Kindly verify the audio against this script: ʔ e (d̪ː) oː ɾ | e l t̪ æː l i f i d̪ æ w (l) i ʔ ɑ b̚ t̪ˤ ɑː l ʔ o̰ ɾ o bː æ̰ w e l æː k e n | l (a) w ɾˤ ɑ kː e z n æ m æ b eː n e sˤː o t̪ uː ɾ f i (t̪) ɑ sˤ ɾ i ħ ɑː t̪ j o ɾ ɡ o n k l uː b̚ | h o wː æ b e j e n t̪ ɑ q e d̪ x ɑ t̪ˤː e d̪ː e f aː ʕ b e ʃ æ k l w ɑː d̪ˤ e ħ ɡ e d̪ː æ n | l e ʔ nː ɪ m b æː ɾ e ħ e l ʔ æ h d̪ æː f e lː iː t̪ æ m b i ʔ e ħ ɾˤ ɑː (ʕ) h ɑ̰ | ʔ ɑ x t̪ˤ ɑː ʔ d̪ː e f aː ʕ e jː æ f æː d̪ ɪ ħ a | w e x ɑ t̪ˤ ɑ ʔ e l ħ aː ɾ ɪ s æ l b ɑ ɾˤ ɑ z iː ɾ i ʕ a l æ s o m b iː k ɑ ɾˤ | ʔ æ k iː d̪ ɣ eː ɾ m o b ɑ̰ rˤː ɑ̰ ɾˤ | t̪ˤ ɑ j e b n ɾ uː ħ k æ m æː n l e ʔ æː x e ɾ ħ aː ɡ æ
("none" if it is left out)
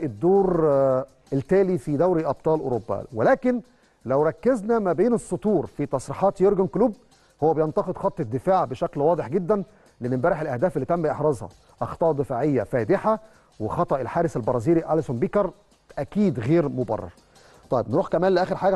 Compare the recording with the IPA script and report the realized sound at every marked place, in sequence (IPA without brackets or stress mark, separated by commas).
d̪ː, ɾ, æ, t̪, z